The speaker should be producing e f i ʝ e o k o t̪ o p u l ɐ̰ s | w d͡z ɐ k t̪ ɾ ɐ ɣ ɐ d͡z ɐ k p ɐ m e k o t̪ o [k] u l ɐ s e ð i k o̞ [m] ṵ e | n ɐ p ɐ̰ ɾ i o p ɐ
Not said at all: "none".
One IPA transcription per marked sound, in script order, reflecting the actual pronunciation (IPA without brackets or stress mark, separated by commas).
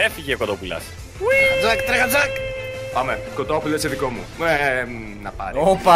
p, m